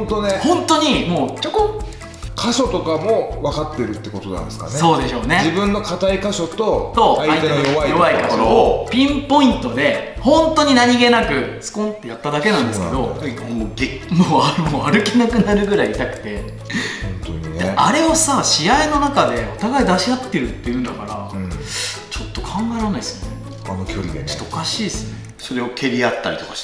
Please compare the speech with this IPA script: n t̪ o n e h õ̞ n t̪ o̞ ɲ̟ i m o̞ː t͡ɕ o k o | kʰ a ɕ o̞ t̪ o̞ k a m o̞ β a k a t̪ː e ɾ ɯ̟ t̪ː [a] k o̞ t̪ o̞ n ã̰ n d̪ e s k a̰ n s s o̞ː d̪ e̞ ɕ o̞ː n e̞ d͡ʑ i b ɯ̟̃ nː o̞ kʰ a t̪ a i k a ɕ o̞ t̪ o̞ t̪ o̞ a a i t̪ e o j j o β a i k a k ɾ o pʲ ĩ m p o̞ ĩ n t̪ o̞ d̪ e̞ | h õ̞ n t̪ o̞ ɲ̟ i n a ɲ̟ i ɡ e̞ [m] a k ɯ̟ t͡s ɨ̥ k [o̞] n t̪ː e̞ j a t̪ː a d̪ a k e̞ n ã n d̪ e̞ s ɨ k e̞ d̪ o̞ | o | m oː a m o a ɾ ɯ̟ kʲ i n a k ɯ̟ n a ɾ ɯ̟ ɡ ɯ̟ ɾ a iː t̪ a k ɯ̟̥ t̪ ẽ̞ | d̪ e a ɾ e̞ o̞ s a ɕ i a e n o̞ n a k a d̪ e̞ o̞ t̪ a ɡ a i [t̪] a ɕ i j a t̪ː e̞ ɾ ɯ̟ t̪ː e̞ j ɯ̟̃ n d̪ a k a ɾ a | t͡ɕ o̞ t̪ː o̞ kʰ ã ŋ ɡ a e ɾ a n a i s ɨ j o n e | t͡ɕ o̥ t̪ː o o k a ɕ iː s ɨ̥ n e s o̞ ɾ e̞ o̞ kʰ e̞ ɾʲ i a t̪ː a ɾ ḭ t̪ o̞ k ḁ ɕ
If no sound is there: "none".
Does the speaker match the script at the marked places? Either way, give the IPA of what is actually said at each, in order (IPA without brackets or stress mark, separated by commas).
e, n, õ̞, d̪